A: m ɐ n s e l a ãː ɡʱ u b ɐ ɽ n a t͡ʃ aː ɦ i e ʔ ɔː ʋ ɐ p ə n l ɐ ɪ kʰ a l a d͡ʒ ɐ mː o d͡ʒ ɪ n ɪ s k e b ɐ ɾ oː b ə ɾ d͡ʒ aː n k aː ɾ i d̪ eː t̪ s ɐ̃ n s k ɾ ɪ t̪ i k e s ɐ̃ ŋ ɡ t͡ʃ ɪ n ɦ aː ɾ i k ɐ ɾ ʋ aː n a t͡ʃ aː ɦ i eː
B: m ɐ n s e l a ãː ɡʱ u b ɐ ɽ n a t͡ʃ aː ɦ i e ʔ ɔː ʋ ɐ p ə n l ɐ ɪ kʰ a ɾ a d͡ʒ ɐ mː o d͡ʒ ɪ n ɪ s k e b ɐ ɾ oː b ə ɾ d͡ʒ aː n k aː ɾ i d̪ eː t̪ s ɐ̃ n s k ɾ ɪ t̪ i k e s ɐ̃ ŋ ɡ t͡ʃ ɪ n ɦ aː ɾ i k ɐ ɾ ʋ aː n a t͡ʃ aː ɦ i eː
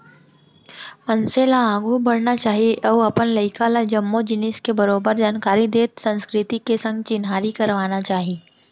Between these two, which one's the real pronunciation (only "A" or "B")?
A